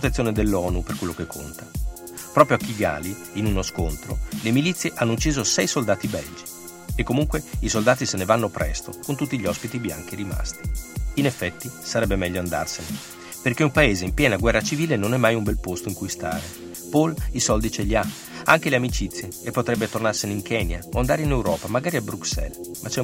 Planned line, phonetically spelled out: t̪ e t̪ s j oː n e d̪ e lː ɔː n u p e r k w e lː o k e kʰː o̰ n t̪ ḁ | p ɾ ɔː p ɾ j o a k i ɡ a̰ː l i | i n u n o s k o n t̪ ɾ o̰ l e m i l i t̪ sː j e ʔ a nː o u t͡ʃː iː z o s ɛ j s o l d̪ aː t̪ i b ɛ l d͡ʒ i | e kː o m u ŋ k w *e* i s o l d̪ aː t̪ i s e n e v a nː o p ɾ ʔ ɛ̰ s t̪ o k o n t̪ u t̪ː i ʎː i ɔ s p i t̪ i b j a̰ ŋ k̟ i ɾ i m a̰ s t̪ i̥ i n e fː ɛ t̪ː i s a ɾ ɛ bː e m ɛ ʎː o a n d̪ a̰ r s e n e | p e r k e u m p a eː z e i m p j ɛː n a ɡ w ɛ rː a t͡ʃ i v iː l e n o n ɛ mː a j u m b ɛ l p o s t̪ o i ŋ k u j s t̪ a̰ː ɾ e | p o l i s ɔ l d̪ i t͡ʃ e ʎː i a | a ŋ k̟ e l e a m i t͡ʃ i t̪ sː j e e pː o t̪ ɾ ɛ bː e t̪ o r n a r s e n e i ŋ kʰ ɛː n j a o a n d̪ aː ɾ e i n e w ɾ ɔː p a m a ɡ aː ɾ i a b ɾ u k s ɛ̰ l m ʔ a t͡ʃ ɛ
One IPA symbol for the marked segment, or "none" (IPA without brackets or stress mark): e